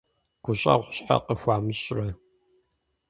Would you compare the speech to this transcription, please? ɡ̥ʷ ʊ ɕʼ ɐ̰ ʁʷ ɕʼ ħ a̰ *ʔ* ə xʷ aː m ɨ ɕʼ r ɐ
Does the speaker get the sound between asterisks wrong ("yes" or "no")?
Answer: yes